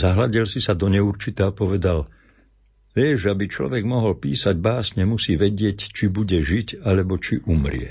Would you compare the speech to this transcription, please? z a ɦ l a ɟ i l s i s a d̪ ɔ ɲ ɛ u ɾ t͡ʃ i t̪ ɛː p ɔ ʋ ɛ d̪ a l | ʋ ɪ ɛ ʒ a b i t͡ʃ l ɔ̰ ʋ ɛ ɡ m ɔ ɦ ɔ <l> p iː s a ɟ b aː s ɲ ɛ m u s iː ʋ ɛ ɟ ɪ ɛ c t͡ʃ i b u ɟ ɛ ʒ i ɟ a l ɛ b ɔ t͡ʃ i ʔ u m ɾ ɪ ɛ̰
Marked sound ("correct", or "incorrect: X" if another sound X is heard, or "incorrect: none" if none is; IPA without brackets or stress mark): correct